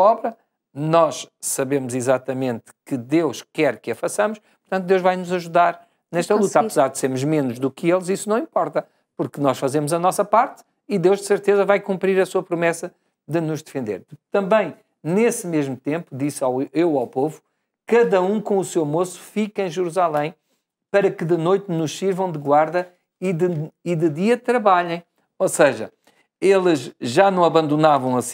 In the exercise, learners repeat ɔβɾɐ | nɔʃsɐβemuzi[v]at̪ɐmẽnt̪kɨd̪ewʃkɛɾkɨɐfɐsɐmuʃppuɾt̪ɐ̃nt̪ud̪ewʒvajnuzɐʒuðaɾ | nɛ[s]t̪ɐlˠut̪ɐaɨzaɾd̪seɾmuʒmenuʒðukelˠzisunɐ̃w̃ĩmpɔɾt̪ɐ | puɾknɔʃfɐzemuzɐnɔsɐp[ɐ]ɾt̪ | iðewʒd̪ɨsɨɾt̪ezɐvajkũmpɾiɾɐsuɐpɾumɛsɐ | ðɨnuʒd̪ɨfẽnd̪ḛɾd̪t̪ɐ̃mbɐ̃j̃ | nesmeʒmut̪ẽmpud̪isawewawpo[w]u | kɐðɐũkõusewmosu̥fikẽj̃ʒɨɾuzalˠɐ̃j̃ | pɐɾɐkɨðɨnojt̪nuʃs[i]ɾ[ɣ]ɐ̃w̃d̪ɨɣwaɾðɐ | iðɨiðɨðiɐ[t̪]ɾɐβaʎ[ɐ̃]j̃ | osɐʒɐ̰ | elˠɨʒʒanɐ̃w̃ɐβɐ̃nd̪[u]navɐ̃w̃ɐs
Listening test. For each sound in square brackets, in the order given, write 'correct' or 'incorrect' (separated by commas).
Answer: incorrect, incorrect, incorrect, incorrect, correct, incorrect, correct, correct, correct